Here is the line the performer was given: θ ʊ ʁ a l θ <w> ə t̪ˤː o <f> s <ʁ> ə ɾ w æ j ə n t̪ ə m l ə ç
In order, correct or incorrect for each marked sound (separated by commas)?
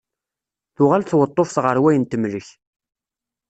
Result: correct, correct, correct